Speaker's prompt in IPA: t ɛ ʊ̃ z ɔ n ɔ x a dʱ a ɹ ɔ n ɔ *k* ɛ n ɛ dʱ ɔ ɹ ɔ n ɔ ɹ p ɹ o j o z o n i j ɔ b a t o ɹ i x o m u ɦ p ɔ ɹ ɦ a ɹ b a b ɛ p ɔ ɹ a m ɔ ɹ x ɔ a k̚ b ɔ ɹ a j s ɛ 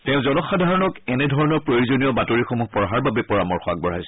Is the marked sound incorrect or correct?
correct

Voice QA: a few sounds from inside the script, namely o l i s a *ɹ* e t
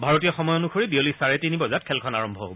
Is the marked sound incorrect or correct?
correct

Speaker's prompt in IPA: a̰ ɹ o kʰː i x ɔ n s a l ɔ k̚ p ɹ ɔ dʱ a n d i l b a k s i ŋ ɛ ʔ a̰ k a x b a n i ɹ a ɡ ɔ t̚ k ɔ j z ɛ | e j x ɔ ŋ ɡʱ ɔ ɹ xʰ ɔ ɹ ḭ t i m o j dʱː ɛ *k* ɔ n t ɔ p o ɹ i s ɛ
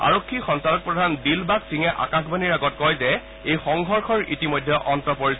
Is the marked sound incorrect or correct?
incorrect: ʔ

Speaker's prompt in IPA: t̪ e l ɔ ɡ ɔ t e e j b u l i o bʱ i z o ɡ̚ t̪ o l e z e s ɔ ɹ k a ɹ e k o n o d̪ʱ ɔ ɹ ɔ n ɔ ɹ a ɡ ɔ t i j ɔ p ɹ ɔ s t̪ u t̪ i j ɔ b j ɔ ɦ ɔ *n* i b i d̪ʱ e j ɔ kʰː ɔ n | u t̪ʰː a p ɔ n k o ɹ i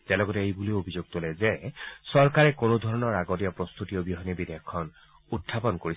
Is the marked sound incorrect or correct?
correct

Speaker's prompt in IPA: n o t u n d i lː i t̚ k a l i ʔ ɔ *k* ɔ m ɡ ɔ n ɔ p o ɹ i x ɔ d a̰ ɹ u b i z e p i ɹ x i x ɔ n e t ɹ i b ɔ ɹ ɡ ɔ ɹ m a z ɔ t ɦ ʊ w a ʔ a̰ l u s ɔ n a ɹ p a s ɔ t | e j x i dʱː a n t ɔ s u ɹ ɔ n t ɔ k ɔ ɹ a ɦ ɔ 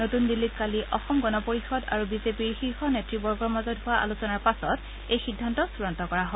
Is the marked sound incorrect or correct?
incorrect: x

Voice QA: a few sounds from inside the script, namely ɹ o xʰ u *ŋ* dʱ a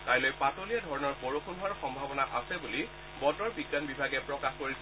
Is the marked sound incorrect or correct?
incorrect: n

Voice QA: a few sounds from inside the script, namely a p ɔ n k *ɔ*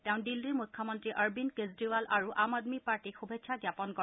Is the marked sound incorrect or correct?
correct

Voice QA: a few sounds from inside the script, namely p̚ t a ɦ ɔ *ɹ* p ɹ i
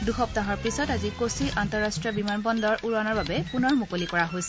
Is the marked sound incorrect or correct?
correct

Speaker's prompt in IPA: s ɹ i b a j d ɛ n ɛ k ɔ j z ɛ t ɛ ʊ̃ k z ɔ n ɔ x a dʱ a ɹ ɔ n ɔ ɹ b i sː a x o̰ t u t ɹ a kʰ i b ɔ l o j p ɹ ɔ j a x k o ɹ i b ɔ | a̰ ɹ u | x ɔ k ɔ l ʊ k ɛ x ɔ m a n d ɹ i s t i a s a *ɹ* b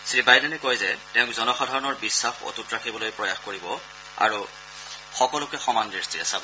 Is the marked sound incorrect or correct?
incorrect: none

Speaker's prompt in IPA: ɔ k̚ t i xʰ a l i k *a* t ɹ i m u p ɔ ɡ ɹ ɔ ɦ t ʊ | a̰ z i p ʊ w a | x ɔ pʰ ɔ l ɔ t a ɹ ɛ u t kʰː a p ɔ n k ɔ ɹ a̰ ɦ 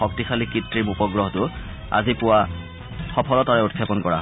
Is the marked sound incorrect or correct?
incorrect: i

